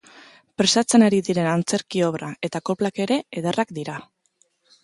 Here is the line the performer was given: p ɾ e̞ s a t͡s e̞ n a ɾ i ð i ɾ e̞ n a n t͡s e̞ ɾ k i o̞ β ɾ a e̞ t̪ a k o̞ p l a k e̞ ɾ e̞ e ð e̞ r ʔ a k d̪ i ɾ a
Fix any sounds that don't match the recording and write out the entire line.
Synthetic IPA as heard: p ɾ e̞ s a t͡s e̞ n a ɾ i ð i ɾ e̞ n a n t͡s e̞ ɾ k i o̞ β ɾ a e̞ t̪ a k o̞ p l a k e̞ ɾ e̞ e ð e̞ r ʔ a k d̪ i ɾ a